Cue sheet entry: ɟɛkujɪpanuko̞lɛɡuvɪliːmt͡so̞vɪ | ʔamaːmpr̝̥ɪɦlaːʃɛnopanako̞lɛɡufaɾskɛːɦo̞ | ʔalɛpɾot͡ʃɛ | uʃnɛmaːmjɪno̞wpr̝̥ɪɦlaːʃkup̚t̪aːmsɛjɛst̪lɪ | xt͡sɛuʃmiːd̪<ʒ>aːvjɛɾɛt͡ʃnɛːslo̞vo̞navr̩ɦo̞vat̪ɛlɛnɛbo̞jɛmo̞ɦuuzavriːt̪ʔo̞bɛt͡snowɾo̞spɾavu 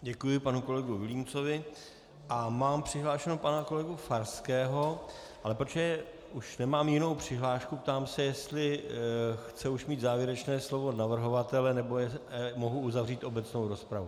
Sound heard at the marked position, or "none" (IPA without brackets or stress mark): z